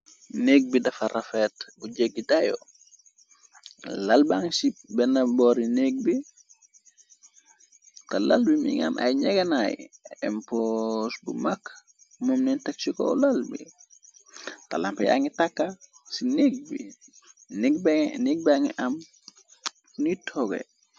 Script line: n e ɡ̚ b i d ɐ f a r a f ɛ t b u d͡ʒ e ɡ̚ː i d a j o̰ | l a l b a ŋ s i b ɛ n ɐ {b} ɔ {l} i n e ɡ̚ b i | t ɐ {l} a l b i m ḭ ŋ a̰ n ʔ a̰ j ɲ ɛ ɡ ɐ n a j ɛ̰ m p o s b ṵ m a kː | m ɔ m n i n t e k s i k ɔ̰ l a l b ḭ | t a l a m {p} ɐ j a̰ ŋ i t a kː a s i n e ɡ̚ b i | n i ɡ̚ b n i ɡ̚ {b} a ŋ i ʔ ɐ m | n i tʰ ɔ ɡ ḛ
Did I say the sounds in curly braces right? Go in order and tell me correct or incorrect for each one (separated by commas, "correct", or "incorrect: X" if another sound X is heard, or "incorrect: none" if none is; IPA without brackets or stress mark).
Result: correct, incorrect: ɾ, correct, correct, correct